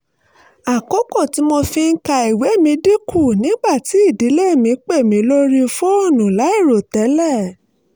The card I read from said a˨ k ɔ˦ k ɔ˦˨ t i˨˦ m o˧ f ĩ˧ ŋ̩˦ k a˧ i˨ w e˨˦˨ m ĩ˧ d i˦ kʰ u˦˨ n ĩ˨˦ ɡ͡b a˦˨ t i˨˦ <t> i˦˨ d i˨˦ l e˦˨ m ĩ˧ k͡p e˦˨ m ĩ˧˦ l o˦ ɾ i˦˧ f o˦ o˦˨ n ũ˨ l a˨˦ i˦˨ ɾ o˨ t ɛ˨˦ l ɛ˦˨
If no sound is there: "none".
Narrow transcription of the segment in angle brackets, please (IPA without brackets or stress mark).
none